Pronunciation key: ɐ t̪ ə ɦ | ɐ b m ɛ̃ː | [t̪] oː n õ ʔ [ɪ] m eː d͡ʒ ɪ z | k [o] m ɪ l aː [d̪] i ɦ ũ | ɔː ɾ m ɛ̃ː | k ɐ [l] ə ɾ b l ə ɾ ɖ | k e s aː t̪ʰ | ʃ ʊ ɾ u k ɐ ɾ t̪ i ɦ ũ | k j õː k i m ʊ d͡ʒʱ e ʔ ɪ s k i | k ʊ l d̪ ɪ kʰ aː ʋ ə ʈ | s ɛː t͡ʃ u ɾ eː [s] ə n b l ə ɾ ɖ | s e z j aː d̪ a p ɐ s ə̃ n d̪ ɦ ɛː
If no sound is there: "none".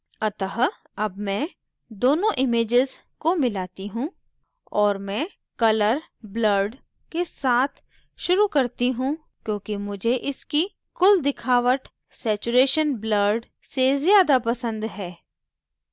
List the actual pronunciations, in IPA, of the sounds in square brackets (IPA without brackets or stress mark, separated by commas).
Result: d̪, ɪ, o, t̪, l, ʃ